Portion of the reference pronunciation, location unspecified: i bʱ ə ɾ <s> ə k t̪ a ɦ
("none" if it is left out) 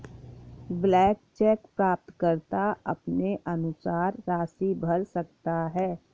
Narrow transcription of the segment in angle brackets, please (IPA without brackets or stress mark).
s